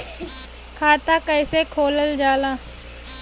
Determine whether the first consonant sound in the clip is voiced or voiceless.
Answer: voiceless